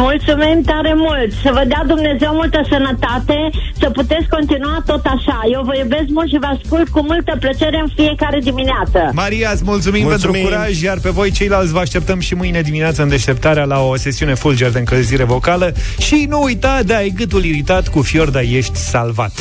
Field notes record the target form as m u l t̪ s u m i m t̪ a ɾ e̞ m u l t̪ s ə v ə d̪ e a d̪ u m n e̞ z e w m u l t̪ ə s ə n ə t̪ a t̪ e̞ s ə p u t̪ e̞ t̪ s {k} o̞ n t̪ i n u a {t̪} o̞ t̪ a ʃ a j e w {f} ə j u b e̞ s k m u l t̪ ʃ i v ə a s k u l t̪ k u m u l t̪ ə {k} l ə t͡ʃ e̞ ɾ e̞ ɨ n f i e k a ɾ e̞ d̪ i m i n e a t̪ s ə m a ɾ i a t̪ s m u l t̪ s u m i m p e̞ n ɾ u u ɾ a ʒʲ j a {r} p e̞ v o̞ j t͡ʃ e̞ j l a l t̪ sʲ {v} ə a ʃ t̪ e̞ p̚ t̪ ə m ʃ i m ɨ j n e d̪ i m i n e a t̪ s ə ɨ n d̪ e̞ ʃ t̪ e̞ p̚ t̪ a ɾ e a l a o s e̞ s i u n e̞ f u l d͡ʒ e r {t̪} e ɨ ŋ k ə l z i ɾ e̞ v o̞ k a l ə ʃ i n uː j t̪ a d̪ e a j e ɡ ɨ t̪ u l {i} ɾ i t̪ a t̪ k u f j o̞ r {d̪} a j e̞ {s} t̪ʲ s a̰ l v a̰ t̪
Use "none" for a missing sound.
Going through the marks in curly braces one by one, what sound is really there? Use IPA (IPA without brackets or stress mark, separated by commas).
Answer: k, t̪, v, p, r, v, d̪, i, d̪, ʃ